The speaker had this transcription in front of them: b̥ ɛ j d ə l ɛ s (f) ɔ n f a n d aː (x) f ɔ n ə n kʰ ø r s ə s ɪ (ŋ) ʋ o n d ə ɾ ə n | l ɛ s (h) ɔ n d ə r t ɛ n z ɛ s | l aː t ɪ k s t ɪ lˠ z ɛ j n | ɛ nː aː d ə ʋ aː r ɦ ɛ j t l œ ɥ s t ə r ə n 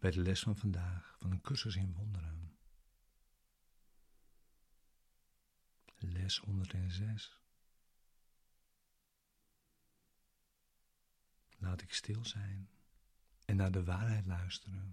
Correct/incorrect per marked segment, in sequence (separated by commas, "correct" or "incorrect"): correct, correct, incorrect, correct